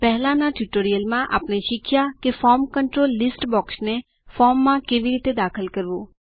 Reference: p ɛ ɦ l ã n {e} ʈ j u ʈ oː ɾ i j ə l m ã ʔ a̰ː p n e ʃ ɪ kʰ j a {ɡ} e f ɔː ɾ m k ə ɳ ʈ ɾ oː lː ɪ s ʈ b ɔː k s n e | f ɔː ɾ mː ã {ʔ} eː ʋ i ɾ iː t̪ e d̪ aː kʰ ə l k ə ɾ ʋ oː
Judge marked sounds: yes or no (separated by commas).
no, no, no